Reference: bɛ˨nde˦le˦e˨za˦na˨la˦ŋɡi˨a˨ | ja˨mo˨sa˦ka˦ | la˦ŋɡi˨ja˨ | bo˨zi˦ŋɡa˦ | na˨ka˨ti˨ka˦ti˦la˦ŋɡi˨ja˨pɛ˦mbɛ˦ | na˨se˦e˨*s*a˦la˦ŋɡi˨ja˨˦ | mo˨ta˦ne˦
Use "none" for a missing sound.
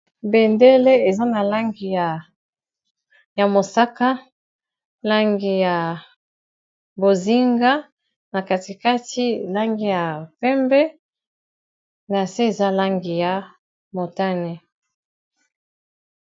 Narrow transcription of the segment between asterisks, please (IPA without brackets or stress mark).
z